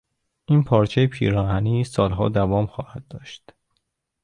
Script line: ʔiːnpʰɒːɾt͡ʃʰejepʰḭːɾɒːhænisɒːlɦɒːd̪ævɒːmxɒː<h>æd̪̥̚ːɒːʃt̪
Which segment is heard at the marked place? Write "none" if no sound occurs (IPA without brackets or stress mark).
h